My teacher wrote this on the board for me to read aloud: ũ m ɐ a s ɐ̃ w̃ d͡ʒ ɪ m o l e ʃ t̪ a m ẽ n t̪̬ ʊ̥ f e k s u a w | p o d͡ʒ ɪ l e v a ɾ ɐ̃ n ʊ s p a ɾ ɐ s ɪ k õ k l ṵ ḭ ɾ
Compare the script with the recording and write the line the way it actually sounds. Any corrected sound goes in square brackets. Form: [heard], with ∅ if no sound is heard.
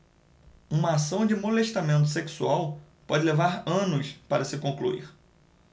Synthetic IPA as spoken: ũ m ɐ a s ɐ̃ w̃ d͡ʒ ɪ m o l e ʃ t̪ a m ẽ n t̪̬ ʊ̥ [s] e k s u a w | p [ɔ] d͡ʒ ɪ l e v a ɾ ɐ̃ n ʊ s p a ɾ ɐ s ɪ k õ k l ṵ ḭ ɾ